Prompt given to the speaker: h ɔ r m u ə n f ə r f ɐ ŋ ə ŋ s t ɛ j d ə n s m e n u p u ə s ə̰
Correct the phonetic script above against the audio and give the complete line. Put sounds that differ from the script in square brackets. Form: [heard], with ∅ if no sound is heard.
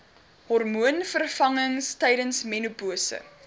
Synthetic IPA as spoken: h ɔ r m u ə n f ə r f ɐ ŋ ə ŋ s t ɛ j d ə n s m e n u p u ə s ə̰